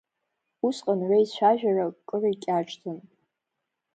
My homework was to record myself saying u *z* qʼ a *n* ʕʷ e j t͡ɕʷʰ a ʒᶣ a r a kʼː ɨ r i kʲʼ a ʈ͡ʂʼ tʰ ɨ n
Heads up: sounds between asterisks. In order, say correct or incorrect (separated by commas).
incorrect, correct